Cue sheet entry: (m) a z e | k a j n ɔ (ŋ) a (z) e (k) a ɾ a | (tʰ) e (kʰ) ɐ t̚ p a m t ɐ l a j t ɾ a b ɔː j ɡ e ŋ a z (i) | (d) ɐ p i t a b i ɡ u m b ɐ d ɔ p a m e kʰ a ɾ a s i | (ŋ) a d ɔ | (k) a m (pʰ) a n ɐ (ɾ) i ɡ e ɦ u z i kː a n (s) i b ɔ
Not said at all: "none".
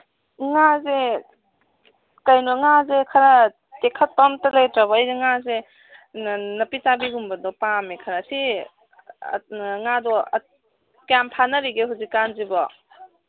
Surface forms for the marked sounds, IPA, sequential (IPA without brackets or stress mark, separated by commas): ŋ, ŋ, z, kʰ, t, kʰ, e, n, ŋ, k, pʰ, ɾ, z